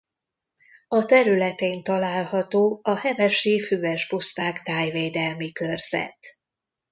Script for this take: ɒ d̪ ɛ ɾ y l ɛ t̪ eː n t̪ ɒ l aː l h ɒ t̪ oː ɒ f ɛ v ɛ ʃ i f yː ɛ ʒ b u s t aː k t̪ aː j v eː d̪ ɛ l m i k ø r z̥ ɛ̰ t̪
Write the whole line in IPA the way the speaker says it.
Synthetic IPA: ɒ t̪ ɛ ɾ y l ɛ t̪ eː n t̪ ɒ l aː l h ɒ t̪ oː ɒ h ɛ v ɛ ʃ i f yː ɛ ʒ b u s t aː k t̪ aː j v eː d̪ ɛ l m i k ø r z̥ ɛ̰ t̪